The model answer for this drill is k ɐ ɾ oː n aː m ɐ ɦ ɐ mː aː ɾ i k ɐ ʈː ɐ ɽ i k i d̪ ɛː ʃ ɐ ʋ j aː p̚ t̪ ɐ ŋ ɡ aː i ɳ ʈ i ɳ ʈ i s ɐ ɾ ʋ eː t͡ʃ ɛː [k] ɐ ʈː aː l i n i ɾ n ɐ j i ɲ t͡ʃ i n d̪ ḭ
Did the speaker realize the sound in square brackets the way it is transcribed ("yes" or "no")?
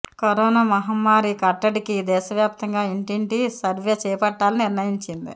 no